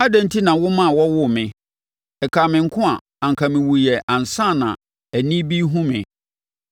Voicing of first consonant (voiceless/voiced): voiced